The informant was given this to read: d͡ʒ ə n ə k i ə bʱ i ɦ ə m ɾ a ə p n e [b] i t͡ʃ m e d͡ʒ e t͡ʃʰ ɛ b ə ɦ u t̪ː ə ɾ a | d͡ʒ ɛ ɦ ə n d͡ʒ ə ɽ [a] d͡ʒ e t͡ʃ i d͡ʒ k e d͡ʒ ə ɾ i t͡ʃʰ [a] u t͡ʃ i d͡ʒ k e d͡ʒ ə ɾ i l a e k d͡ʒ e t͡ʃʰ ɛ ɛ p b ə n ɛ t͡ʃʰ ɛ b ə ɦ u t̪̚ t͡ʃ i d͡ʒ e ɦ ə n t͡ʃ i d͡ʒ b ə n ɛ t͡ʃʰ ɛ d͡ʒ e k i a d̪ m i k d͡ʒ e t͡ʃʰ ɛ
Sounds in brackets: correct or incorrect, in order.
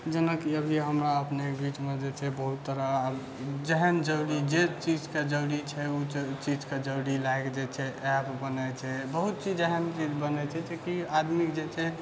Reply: correct, incorrect, incorrect

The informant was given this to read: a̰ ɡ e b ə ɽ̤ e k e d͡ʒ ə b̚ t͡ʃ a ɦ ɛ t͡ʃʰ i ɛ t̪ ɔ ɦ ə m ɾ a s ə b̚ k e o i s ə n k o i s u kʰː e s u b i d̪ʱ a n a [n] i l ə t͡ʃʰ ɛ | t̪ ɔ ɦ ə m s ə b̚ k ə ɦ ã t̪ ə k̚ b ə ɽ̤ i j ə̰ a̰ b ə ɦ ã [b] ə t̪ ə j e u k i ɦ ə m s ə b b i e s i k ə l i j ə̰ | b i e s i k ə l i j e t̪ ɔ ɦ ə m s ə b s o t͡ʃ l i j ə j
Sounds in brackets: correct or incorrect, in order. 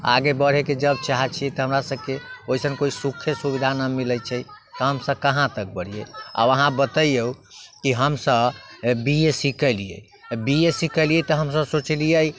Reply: incorrect, correct

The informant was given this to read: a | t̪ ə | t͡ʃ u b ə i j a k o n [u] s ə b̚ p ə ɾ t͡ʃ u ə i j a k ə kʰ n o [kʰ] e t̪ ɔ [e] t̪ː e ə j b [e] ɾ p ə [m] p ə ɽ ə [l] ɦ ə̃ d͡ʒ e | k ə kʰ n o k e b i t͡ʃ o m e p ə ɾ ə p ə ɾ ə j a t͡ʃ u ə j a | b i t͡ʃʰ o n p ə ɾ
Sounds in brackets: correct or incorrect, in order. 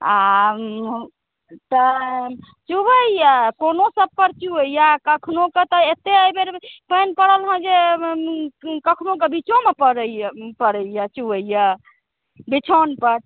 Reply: incorrect, incorrect, correct, correct, incorrect, correct

